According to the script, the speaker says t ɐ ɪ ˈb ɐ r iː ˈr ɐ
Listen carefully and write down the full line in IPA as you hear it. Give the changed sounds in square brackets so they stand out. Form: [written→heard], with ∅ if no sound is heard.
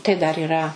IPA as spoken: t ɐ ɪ [ˈb→ˈd] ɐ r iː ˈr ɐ